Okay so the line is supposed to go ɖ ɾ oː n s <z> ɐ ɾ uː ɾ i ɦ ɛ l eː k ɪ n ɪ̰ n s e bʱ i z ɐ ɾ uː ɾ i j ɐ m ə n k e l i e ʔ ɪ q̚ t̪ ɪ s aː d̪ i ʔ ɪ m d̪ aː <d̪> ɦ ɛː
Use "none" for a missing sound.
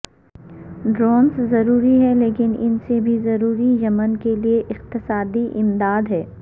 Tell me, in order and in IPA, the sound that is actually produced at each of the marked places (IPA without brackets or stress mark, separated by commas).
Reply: z, d̪